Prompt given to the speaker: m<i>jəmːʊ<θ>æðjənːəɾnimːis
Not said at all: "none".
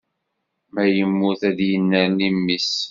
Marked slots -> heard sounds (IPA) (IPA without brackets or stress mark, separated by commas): æ, θ